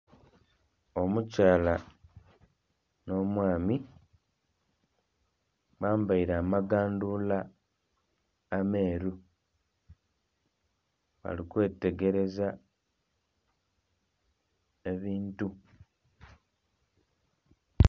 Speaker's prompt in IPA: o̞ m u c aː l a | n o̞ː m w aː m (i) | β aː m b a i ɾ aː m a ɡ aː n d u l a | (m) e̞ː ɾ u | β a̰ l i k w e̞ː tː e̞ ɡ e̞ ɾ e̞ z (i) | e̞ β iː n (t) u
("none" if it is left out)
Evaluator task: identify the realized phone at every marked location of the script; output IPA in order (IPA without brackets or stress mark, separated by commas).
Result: i, m, a, t